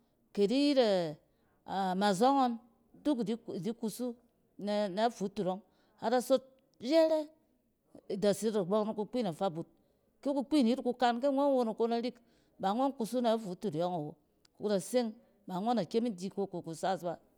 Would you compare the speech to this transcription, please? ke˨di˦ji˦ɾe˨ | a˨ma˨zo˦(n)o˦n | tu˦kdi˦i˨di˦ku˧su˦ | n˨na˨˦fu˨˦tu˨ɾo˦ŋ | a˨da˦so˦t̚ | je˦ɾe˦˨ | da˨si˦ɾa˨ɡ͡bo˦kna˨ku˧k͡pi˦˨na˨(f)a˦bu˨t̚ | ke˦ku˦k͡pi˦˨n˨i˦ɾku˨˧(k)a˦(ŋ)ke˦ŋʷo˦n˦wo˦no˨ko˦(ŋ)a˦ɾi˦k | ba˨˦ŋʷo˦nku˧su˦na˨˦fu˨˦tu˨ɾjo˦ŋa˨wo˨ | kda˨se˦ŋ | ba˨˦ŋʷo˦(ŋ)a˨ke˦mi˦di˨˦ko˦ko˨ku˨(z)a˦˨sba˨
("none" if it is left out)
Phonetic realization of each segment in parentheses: ŋ, f, k, n, n, n, s

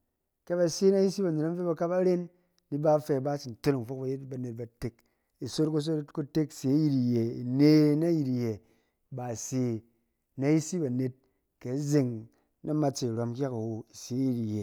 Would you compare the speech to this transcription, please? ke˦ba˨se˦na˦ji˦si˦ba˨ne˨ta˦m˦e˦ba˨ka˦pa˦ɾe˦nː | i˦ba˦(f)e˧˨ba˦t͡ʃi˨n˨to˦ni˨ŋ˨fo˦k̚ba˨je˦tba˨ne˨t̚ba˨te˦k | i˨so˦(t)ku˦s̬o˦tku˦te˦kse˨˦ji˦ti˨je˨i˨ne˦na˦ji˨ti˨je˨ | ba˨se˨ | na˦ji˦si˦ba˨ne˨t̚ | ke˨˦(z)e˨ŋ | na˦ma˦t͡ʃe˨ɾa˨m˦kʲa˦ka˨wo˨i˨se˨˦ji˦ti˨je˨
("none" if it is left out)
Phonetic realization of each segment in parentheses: f, t, z

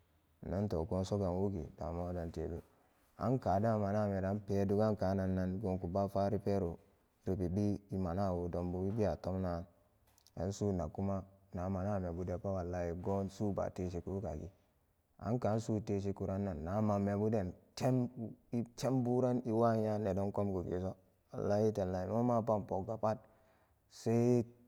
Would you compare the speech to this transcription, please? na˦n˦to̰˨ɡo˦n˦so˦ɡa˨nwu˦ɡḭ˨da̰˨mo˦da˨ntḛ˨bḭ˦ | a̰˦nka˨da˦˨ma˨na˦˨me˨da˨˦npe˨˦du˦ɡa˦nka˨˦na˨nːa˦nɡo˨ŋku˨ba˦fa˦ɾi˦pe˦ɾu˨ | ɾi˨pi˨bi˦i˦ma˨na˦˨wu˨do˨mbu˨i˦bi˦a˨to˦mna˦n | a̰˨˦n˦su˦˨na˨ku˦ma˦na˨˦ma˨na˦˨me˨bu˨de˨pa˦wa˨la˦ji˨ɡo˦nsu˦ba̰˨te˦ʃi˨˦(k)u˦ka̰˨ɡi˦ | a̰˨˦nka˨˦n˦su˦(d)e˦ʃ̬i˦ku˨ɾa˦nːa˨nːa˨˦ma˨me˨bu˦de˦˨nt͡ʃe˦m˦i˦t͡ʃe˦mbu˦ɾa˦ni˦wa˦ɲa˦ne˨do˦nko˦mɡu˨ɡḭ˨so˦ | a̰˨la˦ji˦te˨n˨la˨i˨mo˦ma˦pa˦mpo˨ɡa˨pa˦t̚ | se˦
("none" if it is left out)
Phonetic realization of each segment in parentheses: k, t

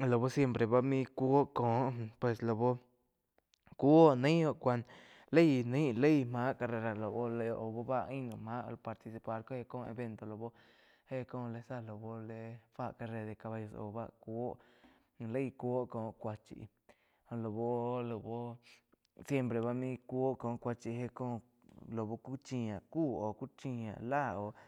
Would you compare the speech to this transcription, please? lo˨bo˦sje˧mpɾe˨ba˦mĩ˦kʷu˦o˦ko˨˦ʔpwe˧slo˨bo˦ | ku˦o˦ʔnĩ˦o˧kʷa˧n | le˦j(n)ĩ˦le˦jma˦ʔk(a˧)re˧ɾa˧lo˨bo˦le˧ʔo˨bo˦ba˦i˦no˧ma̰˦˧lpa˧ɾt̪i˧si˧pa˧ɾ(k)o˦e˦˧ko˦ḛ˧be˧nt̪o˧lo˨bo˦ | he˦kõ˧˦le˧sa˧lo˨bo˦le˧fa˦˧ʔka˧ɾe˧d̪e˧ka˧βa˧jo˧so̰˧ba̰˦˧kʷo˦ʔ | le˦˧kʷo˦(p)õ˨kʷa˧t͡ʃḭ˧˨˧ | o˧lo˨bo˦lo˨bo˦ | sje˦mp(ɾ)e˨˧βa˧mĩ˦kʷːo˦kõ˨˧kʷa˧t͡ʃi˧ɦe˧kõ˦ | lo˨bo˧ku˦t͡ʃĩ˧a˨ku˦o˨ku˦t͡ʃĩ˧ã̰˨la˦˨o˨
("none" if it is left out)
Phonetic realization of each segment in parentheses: n, a˧, k, k, ɾ

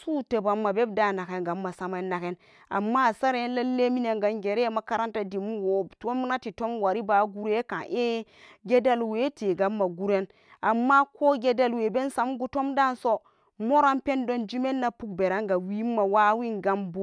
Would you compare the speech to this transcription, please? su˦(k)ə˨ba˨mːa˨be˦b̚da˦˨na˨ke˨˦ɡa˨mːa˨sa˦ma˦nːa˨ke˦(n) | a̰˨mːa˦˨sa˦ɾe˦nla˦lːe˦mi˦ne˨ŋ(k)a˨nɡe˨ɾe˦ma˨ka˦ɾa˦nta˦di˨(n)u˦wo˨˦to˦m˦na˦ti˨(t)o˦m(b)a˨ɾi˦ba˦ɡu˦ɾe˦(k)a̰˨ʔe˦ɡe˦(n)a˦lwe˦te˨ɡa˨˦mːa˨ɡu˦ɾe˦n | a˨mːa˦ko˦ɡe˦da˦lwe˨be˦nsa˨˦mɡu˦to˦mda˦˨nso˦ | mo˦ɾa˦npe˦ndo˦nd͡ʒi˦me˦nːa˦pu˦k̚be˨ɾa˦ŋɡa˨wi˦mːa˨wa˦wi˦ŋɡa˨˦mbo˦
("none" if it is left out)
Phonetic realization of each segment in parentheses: t, n, ɡ, m, t, w, k, d

